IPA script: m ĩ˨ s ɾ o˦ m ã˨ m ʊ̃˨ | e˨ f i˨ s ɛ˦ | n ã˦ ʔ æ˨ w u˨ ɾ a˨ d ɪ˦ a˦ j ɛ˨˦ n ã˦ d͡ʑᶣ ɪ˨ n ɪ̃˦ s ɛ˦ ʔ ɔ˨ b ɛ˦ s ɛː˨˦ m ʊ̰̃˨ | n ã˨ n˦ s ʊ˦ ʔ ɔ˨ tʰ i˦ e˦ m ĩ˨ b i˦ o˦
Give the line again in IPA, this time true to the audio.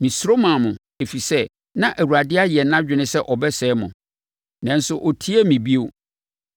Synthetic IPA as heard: m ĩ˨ s ɾ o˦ m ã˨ m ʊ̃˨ | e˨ f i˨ s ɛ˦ | n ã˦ ʔ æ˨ w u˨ ɾ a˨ d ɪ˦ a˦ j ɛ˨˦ n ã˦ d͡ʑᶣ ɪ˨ n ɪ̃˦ s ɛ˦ ʔ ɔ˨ b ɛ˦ s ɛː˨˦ m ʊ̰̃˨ | n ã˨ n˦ s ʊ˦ ʔ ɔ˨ tʰ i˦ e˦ m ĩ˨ b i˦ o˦